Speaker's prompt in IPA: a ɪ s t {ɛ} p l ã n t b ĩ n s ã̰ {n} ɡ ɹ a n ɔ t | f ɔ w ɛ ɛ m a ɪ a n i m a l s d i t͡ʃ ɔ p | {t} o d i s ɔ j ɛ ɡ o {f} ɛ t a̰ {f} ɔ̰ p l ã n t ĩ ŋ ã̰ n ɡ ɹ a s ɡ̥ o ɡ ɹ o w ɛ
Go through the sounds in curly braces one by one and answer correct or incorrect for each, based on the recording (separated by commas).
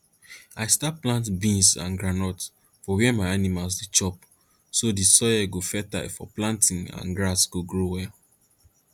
incorrect, correct, incorrect, correct, correct